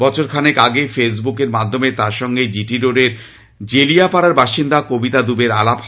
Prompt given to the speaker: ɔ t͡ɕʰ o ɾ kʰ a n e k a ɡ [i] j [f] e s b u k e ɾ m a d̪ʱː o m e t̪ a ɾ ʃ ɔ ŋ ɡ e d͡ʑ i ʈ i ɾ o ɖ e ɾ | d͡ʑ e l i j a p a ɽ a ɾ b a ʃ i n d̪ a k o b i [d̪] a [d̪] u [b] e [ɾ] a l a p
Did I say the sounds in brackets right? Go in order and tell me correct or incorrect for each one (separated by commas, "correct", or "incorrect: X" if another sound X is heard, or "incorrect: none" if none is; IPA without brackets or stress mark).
incorrect: e, correct, incorrect: t̪, correct, correct, correct